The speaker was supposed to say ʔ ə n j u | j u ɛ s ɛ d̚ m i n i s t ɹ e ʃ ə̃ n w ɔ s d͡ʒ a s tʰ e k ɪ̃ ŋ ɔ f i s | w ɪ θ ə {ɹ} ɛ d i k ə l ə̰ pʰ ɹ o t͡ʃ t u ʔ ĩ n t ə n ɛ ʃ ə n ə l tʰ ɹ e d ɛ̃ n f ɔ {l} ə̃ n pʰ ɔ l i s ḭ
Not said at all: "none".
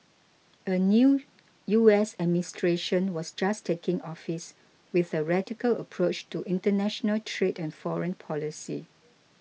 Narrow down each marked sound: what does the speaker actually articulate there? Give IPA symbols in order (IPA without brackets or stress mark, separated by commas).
ɹ, ɹ